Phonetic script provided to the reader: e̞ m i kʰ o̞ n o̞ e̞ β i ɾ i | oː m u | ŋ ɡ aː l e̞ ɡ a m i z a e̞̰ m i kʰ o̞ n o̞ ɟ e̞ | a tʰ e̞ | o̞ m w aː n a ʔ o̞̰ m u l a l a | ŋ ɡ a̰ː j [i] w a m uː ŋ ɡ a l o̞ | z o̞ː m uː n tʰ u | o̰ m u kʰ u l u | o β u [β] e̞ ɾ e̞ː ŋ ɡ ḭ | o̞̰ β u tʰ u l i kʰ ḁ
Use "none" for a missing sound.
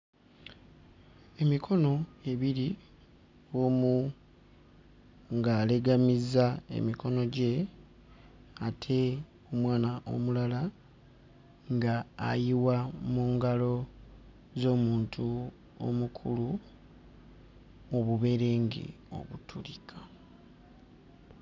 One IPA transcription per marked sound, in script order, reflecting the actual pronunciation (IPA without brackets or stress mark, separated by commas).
i, β